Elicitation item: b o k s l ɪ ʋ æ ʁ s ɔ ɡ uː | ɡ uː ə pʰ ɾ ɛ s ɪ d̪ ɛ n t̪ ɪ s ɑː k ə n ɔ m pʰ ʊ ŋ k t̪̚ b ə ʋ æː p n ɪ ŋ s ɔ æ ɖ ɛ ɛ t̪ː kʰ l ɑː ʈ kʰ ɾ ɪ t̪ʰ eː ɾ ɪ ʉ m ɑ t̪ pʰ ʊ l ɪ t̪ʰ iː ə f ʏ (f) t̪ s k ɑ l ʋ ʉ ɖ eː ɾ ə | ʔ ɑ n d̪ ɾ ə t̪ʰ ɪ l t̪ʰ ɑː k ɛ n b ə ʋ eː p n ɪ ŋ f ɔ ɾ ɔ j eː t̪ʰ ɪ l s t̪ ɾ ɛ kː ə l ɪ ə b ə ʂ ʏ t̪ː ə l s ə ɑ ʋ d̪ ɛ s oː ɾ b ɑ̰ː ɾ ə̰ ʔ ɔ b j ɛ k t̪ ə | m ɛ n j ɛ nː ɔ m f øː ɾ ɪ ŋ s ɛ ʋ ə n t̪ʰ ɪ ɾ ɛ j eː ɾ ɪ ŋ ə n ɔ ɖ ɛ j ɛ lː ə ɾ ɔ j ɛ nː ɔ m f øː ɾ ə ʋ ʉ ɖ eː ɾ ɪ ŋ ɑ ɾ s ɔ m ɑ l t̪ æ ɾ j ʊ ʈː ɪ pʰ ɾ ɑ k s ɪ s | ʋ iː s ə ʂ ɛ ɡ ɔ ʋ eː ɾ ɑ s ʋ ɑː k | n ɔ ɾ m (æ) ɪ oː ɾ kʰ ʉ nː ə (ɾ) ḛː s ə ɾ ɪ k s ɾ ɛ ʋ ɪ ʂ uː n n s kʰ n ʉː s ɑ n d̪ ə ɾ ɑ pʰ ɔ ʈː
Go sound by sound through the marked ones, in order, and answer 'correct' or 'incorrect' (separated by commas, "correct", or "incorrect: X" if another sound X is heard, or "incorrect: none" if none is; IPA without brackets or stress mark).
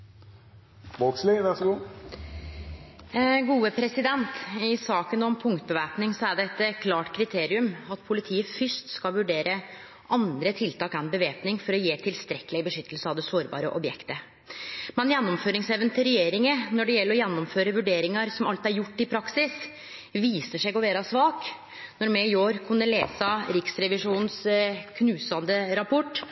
incorrect: ʂ, incorrect: ɛ, incorrect: l